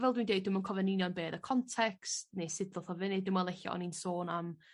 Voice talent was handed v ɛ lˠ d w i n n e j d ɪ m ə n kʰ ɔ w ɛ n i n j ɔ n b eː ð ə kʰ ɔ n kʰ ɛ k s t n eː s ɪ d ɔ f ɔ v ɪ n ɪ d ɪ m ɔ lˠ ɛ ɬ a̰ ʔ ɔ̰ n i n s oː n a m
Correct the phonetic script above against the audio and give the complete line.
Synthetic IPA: v ɛ lˠ d w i n d e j d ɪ m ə n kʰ ɔ v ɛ n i n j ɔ n b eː ð ə kʰ ɔ n tʰ ɛ k s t n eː s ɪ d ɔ θ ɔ v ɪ n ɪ d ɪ m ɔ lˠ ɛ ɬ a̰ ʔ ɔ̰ n i n s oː n a m